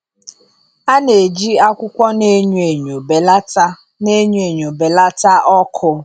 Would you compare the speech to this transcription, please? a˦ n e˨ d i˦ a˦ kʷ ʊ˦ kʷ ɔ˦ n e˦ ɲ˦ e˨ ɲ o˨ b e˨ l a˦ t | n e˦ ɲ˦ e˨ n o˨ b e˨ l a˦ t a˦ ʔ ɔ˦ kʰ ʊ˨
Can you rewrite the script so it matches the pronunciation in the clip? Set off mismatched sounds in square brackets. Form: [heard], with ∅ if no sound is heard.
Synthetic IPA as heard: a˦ n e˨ [d͡ʒ] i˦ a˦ kʷ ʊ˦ kʷ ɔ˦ n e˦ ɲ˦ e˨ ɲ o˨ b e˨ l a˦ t | n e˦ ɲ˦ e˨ [ɲ] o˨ b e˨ l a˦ t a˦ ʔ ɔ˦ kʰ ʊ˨